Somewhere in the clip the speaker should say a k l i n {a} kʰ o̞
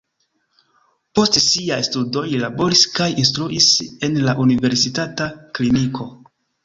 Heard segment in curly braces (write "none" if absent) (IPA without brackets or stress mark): i